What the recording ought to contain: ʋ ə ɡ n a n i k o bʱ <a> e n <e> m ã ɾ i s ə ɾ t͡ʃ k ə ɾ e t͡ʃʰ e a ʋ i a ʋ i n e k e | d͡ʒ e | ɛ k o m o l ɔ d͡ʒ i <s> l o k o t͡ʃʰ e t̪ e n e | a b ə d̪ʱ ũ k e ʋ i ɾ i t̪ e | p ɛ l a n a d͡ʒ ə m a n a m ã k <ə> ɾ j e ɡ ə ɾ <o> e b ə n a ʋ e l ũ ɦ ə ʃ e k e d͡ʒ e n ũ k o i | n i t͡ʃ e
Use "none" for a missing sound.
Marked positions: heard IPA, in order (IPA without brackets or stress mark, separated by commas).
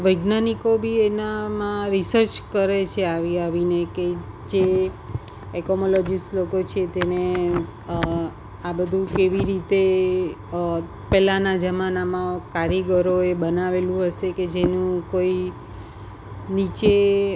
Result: i, a, s, a, o